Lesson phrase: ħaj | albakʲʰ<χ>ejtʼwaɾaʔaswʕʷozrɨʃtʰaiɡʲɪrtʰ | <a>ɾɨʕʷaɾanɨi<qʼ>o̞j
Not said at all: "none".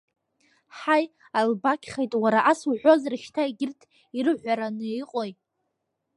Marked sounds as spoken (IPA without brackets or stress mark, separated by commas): χ, i, qʼ